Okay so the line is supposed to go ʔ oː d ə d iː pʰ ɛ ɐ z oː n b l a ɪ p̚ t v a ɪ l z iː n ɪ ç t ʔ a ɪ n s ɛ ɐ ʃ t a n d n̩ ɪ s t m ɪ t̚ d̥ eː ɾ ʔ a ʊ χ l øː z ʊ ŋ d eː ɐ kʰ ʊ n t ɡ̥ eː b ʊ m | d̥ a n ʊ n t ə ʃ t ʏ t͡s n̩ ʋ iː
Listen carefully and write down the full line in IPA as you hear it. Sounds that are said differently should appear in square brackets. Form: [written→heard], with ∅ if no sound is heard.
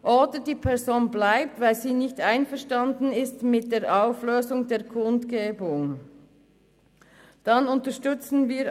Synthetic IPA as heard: ʔ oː d ə d iː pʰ ɛ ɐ z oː n b l a ɪ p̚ t v a ɪ l z iː n ɪ ç t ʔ a ɪ n [s→f] ɛ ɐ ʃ t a n d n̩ ɪ s t m ɪ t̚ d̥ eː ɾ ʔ a ʊ [χ→f] l øː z ʊ ŋ d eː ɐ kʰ ʊ n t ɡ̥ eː b ʊ [m→ŋ] | d̥ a n ʊ n t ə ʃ t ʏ t͡s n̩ [ʋ→v] iː